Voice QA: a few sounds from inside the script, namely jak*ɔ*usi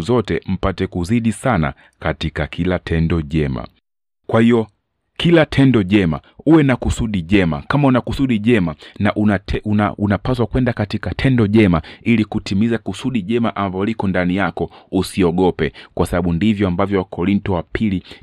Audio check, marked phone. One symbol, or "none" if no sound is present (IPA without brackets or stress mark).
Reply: ɔ